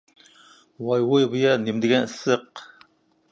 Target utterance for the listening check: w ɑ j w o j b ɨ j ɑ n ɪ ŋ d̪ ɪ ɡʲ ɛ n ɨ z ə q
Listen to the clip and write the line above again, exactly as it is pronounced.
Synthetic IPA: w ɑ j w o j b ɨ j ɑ n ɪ m d̪ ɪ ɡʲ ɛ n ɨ s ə q